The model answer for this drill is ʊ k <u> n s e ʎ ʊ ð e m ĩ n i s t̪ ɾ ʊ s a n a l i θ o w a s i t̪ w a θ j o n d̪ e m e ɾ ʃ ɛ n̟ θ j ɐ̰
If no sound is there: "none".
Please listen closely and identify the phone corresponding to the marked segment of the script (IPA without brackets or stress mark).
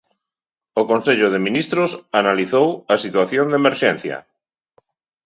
o